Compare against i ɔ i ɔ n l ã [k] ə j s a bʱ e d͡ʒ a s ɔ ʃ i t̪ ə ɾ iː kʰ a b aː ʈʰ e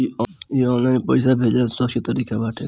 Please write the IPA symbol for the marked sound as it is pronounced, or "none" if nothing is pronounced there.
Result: p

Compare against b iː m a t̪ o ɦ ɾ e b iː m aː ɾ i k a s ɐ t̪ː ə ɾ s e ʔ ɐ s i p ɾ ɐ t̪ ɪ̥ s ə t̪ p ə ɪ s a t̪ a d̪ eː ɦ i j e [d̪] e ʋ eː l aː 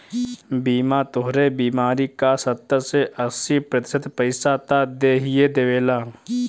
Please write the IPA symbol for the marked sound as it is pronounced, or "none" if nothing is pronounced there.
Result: d̪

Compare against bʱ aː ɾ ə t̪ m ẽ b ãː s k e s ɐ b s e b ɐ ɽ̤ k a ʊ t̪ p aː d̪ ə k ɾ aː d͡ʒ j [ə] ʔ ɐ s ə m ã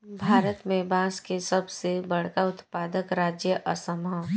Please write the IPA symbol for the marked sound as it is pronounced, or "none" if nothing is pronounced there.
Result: ə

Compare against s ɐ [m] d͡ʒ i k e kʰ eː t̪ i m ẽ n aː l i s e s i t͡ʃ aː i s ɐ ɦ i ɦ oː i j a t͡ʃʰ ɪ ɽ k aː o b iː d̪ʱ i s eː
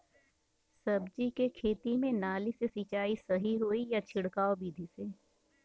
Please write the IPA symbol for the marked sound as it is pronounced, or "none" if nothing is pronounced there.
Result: b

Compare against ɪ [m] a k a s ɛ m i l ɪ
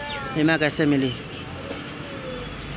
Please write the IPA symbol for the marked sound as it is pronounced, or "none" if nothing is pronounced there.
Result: m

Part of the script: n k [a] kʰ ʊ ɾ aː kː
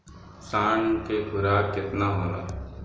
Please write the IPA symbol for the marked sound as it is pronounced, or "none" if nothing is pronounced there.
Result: e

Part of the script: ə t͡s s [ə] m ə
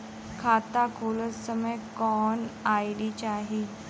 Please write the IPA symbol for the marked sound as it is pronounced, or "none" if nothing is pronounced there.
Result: ə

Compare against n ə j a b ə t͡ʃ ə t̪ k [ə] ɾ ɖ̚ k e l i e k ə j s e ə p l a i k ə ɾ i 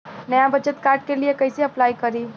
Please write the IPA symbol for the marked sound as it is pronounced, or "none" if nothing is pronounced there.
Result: a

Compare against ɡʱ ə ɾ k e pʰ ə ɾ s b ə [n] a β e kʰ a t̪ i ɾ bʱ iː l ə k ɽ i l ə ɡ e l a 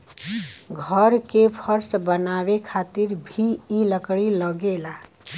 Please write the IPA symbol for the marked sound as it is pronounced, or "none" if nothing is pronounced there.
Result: n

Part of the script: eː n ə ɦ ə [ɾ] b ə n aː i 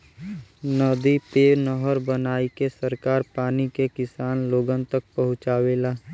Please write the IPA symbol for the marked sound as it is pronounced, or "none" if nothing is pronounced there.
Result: ɾ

